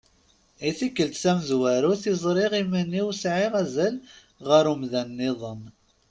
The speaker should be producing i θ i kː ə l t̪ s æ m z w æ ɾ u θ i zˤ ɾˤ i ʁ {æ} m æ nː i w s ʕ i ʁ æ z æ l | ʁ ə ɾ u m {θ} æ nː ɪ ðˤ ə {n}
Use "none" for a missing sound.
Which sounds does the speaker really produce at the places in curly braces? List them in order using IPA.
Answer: i, ð, m

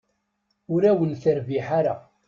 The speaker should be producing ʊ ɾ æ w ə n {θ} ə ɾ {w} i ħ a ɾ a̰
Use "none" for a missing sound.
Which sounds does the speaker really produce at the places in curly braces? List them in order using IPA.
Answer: θ, v

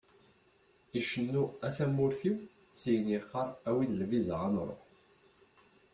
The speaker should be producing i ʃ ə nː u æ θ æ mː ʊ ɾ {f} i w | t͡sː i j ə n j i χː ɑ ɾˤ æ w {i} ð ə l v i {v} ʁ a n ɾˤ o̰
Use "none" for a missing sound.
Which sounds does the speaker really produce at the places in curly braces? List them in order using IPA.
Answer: θ, i, z

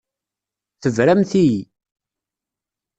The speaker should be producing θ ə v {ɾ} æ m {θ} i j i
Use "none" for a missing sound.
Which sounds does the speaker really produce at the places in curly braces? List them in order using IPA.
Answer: ɾ, θ

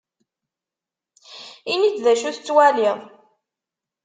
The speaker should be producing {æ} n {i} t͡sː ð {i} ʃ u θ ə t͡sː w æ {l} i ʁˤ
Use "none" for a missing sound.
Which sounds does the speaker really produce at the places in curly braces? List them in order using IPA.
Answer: i, i, æ, l

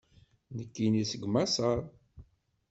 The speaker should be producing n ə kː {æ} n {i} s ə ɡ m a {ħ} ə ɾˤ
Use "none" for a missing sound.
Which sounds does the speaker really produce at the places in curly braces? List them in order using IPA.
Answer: i, i, s

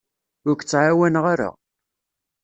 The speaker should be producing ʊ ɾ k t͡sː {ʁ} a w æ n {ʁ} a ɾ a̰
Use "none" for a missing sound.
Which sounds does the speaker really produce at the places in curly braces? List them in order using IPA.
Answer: ʕ, ʁ

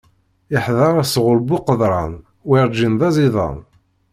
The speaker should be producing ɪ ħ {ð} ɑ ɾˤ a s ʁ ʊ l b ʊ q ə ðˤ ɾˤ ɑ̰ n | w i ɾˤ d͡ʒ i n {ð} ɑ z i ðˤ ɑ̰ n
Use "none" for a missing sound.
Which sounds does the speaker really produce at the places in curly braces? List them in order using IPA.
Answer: ð, ð

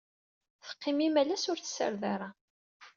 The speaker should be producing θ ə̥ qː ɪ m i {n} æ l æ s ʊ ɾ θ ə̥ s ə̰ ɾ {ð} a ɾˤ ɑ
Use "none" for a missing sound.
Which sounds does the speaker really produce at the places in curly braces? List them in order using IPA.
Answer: m, ð

